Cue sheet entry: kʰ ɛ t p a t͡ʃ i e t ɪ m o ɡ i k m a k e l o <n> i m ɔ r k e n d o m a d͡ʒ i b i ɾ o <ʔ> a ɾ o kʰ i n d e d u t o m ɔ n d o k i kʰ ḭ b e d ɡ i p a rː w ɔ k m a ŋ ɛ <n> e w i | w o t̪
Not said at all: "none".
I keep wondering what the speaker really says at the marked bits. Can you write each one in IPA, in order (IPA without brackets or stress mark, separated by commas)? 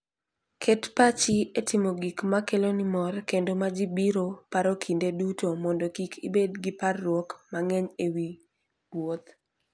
n, p, ɲ